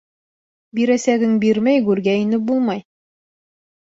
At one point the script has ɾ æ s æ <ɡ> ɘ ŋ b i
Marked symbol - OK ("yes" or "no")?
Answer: yes